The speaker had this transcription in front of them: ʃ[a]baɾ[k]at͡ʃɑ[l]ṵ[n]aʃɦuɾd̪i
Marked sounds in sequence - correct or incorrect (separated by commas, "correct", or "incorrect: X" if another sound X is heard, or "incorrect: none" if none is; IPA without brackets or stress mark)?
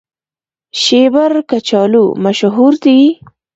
incorrect: e, correct, correct, incorrect: m